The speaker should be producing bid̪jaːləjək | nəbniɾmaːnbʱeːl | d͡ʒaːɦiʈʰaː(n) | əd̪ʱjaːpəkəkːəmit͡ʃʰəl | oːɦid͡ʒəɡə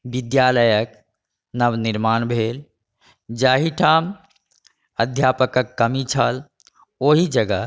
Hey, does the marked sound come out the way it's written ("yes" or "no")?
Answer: no